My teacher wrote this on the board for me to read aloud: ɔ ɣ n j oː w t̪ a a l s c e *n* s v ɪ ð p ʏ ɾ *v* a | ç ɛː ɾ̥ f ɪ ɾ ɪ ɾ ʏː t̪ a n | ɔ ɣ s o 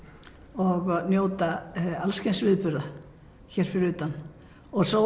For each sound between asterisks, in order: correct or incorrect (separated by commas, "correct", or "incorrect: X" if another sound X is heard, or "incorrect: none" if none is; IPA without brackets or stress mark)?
correct, incorrect: ð